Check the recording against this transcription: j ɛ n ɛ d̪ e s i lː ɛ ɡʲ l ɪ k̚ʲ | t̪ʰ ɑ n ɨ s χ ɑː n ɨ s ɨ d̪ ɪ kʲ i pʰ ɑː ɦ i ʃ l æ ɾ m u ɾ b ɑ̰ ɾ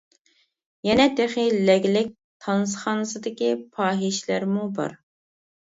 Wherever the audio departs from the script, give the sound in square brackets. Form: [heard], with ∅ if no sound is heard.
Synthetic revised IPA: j ɛ n ɛ d̪ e [χ] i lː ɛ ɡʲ l ɪ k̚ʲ | t̪ʰ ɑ n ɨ s χ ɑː n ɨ s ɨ d̪ ɪ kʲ i pʰ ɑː ɦ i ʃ l æ ɾ m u [∅] b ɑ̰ ɾ